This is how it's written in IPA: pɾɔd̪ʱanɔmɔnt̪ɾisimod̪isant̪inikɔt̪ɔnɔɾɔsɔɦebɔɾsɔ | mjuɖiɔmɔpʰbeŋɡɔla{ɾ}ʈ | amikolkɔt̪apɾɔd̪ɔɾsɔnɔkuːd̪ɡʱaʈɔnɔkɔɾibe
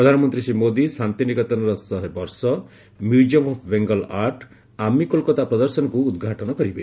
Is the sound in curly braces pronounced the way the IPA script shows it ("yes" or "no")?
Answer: yes